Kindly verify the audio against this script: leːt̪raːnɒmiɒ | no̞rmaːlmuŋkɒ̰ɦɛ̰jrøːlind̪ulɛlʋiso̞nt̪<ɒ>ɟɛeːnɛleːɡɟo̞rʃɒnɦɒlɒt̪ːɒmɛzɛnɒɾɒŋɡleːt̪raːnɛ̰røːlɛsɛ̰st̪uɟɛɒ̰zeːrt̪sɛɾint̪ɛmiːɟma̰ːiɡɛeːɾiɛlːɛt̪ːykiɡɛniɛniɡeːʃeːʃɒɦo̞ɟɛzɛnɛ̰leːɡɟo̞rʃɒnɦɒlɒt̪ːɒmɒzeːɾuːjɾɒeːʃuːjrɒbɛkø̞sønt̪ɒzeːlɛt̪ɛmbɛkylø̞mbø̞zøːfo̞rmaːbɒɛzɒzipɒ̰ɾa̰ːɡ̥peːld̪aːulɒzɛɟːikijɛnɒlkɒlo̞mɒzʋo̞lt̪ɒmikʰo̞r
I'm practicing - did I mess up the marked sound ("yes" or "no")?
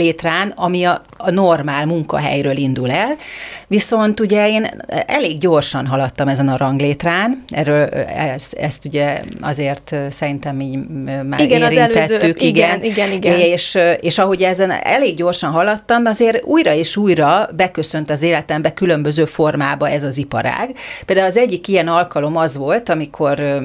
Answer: yes